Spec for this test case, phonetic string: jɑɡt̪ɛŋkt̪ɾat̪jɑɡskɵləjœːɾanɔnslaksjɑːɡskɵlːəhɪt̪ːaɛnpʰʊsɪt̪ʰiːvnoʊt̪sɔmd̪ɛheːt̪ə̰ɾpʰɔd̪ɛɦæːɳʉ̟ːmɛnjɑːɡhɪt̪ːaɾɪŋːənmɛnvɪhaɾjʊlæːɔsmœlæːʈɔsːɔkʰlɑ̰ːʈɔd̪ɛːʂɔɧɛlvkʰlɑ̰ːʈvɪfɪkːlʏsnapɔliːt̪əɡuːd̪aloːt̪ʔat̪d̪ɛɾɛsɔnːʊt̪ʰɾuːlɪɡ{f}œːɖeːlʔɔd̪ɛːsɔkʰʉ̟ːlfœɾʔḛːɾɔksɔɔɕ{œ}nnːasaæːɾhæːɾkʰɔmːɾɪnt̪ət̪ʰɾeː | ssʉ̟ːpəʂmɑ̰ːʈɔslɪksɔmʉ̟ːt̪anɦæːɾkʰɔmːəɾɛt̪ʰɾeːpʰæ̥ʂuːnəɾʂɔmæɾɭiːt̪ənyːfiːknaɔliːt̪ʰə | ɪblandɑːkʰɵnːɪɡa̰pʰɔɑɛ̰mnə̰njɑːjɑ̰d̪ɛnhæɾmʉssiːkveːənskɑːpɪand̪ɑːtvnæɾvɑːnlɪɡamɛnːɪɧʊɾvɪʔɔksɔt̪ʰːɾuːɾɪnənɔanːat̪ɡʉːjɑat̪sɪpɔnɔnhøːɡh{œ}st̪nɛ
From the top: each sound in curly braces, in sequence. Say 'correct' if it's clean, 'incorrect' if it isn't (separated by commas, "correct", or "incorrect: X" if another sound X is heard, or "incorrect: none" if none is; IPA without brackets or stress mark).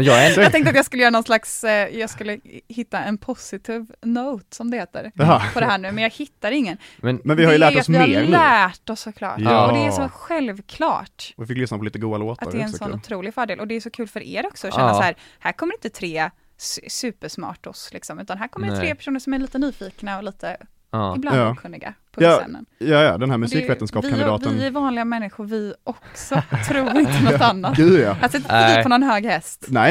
correct, incorrect: ɛ, incorrect: ɛ